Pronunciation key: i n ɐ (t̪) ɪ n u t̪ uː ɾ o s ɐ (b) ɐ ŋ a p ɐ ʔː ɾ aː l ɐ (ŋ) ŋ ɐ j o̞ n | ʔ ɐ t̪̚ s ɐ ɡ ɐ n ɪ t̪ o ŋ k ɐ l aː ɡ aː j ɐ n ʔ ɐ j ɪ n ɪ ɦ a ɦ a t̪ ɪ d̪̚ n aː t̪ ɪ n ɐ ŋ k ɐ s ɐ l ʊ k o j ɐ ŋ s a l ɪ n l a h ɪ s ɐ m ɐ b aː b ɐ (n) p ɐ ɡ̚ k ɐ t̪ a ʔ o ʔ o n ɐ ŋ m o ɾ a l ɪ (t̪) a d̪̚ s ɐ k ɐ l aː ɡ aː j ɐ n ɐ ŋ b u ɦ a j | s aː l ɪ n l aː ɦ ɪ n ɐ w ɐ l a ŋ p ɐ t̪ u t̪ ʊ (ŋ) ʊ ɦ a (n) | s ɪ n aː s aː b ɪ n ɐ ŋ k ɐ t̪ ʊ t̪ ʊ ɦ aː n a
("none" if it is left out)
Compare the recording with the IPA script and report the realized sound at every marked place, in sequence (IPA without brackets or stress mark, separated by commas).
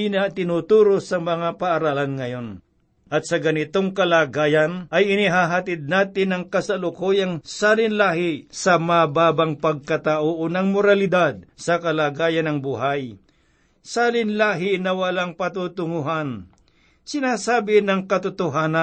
t̪, m, n, ŋ, d̪, ŋ, n